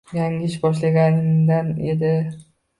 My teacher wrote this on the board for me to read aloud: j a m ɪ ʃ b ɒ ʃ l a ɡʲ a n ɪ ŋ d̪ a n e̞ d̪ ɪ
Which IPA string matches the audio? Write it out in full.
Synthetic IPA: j a ŋ ɪ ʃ b ɒ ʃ l a ɡʲ a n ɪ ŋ d̪ a n e̞ d̪ ɪ